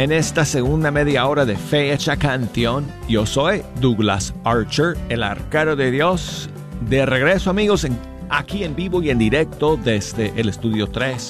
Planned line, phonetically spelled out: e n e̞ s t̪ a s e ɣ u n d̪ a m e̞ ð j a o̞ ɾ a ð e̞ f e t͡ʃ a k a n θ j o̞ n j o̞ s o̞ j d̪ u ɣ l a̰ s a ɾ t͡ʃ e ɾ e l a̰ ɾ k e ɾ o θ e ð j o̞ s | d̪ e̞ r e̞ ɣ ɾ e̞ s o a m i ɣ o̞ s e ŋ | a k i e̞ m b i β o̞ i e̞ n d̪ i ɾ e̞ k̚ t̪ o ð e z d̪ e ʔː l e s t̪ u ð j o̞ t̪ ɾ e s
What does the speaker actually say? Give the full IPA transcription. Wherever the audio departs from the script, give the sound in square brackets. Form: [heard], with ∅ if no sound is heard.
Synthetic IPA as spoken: e n e̞ s t̪ a s e ɣ u n d̪ a m e̞ ð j a o̞ ɾ a ð e̞ f e t͡ʃ a k a n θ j o̞ n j o̞ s o̞ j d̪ u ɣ l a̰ s a ɾ t͡ʃ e ɾ e l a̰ ɾ k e ɾ o [ð] e ð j o̞ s | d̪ e̞ r e̞ ɣ ɾ e̞ s o a m i ɣ o̞ s e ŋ | a k i e̞ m b i β o̞ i e̞ n d̪ i ɾ e̞ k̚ t̪ o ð e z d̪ e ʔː l e s t̪ u ð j o̞ t̪ ɾ e s